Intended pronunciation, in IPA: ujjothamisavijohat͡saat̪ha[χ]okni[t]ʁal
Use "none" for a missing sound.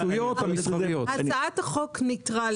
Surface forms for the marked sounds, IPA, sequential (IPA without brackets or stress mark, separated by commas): χ, t